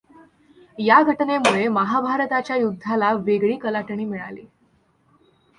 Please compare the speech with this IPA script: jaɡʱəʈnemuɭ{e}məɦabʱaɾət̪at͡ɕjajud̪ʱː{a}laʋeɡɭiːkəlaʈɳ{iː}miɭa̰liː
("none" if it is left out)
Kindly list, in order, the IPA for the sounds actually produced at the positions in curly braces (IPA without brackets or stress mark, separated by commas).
e, a, iː